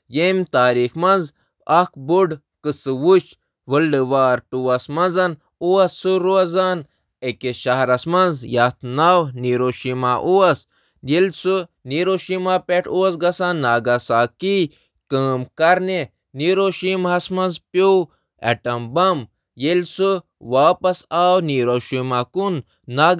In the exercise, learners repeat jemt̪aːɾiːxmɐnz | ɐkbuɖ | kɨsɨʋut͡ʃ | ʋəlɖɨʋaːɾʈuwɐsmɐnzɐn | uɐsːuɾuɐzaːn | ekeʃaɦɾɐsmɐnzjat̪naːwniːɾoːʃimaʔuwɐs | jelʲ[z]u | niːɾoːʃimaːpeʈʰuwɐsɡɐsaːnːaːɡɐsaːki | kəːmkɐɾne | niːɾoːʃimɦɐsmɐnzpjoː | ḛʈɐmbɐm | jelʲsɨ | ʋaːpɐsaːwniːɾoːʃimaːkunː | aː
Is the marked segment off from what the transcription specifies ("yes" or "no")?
yes